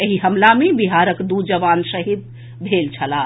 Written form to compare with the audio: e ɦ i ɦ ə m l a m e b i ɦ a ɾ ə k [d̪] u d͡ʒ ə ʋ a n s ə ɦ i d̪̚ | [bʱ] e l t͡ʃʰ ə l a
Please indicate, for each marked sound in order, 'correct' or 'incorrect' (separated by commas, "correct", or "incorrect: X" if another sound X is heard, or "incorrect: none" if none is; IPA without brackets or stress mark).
correct, correct